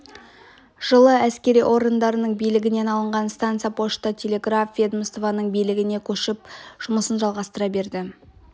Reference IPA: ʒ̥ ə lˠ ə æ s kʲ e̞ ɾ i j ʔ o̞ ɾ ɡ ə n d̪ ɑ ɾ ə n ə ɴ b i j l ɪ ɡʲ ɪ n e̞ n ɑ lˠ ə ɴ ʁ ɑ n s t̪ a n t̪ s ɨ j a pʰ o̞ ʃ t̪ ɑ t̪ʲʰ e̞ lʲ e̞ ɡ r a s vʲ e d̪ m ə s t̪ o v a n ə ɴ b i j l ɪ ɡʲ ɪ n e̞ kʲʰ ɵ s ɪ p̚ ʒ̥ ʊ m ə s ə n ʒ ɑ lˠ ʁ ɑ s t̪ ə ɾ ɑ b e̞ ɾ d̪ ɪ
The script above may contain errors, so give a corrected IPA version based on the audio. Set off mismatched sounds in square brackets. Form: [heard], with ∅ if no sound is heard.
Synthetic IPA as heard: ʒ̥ ə lˠ ə æ s kʲ e̞ ɾ i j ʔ o̞ ɾ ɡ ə n d̪ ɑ ɾ ə n ə ɴ b i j l ɪ ɡʲ ɪ n e̞ n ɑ lˠ ə ɴ ʁ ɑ n s t̪ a n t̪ s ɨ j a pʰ o̞ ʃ t̪ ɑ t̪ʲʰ e̞ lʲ e̞ ɡ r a [f] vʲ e d̪ m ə s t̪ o v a n ə ɴ b i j l ɪ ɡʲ ɪ n e̞ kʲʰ ɵ [ʃ] ɪ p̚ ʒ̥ ʊ m ə s ə n ʒ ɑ lˠ ʁ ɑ s t̪ ə ɾ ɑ b e̞ ɾ d̪ ɪ